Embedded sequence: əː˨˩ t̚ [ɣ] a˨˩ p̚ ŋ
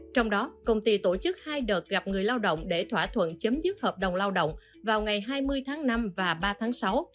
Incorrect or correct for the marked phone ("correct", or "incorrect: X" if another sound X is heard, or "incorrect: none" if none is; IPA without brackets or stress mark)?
correct